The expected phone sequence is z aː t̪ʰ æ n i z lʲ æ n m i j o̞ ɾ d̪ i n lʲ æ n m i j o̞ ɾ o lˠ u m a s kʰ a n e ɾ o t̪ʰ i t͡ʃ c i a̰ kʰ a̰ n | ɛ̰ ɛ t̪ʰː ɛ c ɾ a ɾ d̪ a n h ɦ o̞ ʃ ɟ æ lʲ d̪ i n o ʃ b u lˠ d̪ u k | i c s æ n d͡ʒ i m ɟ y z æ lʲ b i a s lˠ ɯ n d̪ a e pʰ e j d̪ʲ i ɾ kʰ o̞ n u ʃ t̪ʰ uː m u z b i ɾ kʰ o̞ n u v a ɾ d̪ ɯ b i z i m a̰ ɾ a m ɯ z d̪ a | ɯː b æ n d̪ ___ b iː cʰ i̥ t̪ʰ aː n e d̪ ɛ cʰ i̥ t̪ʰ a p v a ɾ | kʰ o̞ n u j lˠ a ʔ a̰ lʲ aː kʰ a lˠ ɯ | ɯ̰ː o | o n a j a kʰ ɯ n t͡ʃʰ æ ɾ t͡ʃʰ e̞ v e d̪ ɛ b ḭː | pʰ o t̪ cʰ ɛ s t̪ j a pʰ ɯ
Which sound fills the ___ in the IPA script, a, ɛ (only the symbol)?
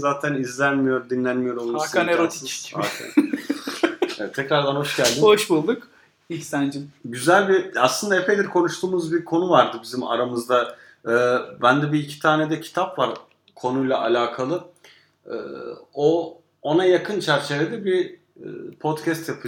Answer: ɛ